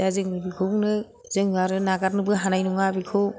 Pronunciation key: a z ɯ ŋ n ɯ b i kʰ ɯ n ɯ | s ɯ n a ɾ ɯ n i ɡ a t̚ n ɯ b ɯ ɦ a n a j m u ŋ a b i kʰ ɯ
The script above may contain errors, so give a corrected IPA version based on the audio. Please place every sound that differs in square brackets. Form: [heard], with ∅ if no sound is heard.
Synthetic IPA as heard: a z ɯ ŋ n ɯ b i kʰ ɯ n ɯ | [z] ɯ [ŋ] a ɾ ɯ n [a] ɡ a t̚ n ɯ b ɯ ɦ a n a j [n] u ŋ a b i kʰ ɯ